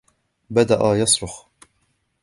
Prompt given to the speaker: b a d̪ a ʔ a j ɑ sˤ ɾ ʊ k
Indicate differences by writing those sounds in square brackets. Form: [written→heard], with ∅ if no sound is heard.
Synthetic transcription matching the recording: b a d̪ a ʔ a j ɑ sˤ ɾ ʊ [k→x]